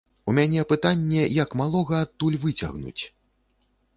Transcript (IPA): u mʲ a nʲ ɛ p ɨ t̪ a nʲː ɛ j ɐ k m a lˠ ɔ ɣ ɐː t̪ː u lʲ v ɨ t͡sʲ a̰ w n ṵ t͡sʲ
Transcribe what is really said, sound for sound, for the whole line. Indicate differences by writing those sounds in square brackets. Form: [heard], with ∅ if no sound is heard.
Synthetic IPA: u mʲ a nʲ ɛ p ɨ t̪ a nʲː ɛ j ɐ k m a lˠ ɔ ɣ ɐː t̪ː u lʲ v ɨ t͡sʲ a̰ [ɣ] n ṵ t͡sʲ